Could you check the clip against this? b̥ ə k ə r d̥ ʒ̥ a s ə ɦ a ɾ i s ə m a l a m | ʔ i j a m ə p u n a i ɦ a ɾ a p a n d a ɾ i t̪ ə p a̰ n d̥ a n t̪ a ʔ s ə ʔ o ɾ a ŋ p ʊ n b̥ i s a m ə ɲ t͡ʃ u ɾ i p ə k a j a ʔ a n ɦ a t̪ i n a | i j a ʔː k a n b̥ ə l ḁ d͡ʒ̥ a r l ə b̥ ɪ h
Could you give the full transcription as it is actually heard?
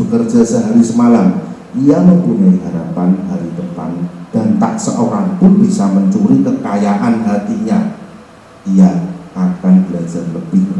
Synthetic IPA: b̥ ə k ə r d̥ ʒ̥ a s ə ɦ a ɾ i s ə m a l a m | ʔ i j a m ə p u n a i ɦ a ɾ a p a n d a ɾ i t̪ ə p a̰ n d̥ a n t̪ a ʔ s ə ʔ o ɾ a ŋ p ʊ n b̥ i s a m ə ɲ t͡ʃ u ɾ i k ə k a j a ʔ a n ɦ a t̪ i ɲ a | i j a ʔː k a n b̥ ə l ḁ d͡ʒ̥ a r l ə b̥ ɪ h